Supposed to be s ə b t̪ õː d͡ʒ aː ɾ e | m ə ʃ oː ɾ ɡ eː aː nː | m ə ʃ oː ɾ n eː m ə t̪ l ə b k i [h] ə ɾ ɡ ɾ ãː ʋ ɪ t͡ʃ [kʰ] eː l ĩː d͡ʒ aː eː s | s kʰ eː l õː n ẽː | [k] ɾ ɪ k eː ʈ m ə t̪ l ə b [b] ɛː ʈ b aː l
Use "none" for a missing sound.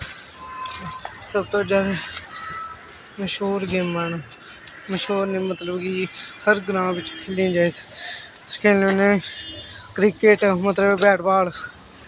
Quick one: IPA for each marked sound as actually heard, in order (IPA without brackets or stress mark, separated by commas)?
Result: h, kʰ, k, b